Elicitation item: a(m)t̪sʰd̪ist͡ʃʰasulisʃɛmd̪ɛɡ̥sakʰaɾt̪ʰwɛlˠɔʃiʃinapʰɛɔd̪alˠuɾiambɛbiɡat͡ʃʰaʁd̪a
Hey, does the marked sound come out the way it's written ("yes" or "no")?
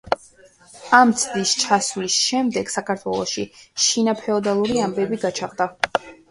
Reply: yes